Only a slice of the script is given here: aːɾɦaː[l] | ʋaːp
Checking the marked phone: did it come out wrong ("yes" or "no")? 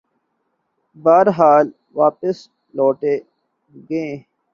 no